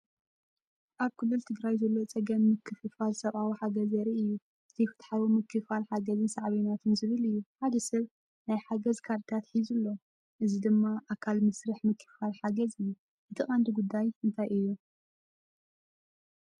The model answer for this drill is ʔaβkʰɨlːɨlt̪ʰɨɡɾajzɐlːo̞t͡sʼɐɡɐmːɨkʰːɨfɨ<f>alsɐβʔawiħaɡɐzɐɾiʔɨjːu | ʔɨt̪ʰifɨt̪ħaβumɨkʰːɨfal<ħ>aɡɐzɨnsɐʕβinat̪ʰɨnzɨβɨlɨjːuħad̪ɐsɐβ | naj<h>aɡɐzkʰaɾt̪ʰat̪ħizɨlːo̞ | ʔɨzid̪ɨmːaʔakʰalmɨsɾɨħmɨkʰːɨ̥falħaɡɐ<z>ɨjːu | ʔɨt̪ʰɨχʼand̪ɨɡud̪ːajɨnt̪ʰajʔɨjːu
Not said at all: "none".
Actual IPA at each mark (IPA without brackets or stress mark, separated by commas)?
f, ħ, ħ, z